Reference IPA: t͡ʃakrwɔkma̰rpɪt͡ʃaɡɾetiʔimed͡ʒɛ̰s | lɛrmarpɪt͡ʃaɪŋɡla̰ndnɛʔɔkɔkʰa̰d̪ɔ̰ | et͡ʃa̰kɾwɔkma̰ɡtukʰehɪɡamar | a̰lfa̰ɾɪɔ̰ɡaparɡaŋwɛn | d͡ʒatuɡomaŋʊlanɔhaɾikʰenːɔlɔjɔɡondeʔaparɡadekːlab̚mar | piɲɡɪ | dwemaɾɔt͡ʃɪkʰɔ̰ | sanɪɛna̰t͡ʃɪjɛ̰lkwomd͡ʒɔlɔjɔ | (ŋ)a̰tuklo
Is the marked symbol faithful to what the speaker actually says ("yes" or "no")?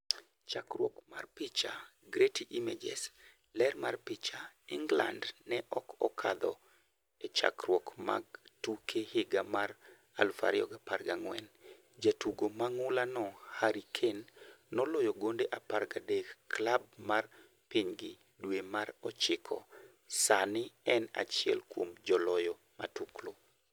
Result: no